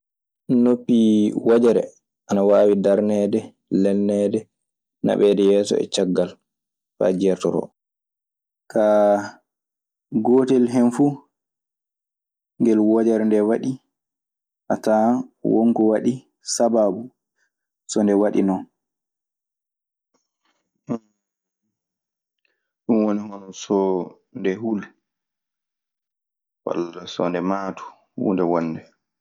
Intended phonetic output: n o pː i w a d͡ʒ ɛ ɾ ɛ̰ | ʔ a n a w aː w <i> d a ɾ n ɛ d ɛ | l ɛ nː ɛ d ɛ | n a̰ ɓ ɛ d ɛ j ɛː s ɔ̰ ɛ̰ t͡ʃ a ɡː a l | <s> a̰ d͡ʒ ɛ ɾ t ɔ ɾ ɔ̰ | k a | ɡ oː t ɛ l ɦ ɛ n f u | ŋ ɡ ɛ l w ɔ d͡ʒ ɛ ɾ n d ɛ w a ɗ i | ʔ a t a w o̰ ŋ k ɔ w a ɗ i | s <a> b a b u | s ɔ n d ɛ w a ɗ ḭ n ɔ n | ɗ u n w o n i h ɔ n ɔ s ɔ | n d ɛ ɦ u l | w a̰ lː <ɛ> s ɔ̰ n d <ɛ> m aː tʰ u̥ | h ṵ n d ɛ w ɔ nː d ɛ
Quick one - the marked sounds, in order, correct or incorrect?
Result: correct, incorrect: f, correct, incorrect: a, correct

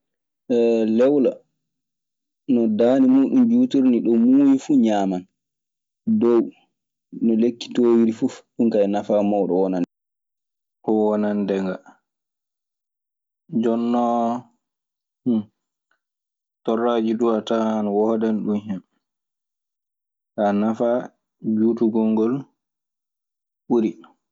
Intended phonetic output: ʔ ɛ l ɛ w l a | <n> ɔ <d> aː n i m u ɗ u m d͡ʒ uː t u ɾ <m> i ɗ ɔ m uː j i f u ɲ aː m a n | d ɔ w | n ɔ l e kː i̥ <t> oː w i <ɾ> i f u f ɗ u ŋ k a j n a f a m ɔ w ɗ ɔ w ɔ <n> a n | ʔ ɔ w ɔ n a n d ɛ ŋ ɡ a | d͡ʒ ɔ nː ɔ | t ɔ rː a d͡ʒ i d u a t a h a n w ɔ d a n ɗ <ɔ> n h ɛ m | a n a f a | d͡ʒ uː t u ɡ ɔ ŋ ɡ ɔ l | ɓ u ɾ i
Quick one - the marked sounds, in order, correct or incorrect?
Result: correct, correct, incorrect: n, correct, correct, correct, incorrect: u

